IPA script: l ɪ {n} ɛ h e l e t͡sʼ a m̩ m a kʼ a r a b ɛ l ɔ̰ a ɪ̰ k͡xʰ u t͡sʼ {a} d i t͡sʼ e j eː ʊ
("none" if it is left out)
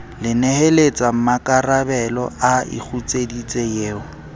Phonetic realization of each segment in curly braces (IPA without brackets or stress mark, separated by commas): n, e